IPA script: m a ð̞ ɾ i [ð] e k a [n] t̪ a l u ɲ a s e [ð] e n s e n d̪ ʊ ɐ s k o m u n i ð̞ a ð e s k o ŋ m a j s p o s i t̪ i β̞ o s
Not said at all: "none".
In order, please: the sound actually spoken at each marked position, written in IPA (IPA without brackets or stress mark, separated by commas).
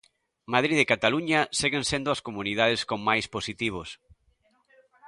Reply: ð, none, ɣ